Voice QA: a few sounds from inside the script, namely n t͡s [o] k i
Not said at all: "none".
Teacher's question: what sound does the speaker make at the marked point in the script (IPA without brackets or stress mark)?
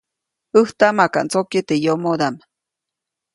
o